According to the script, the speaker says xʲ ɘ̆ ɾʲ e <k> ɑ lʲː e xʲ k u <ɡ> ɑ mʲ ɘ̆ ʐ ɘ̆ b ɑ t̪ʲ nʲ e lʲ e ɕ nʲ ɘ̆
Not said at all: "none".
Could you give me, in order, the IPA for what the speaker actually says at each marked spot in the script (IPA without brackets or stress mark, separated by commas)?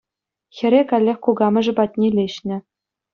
k, ɡ